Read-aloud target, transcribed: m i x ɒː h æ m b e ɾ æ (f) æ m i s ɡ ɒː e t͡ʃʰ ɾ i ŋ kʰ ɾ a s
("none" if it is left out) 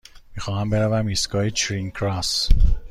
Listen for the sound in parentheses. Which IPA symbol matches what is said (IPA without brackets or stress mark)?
v